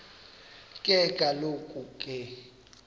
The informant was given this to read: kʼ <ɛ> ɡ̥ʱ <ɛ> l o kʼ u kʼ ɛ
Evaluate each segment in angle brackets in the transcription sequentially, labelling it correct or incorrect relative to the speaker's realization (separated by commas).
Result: correct, incorrect